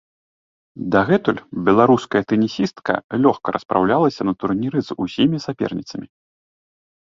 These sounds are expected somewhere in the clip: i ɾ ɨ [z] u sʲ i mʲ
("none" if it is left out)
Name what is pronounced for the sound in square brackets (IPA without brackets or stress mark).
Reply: z